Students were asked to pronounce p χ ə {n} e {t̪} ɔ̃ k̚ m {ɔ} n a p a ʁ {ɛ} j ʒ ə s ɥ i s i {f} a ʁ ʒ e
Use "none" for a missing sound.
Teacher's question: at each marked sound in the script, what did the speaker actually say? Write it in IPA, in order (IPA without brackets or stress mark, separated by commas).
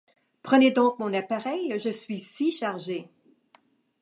n, d̪, ɔ̃, ɛ, ʃ